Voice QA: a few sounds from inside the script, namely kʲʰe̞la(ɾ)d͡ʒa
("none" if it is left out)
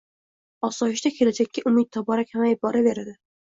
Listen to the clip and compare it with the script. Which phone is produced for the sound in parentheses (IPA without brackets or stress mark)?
none